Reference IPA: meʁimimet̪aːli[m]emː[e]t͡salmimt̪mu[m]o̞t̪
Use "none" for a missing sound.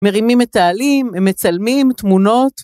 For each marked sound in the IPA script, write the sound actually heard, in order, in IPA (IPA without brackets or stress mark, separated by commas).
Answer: m, e, n